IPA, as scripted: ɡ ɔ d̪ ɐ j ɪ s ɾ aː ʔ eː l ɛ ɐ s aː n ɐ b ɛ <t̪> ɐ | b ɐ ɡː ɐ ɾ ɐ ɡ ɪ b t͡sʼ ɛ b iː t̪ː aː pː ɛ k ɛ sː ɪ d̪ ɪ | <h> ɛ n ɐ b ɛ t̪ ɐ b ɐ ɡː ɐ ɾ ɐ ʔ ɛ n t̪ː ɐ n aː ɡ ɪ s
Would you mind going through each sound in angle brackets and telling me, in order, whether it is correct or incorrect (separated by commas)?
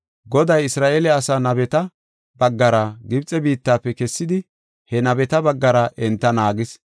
correct, correct